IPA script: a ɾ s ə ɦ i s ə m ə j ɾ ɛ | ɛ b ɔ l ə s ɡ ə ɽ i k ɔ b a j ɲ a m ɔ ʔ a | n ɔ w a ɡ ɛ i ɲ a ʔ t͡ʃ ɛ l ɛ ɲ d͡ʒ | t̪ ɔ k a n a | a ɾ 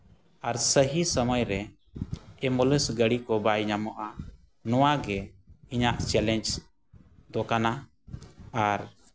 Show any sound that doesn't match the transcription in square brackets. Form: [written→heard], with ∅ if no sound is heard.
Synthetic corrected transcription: a ɾ s ə ɦ i s ə m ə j ɾ ɛ | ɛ [b→m] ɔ l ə s ɡ ə ɽ i k ɔ b a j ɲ a m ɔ ʔ a | n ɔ w a ɡ ɛ i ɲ a ʔ t͡ʃ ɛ l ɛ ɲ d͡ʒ | [t̪→d̪] ɔ k a n a | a ɾ